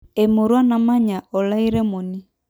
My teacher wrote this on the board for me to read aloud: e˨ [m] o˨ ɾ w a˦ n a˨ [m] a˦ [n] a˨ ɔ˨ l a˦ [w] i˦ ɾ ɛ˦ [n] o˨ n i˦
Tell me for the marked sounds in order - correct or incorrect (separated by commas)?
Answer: correct, correct, incorrect, incorrect, incorrect